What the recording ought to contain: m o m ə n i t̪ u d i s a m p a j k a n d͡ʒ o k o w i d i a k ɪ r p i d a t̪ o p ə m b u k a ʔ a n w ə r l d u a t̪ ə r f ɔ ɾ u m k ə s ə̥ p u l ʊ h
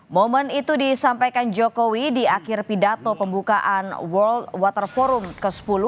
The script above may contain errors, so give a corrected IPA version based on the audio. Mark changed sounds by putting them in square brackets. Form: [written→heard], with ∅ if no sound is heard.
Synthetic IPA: m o m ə n i t̪ u d i s a m p a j k a n d͡ʒ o k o w i d i a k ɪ r p i d a t̪ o p ə m b u k a ʔ a n w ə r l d [u→w] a t̪ ə r f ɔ ɾ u m k ə s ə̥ p u l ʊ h